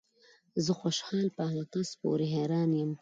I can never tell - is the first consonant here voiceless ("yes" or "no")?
no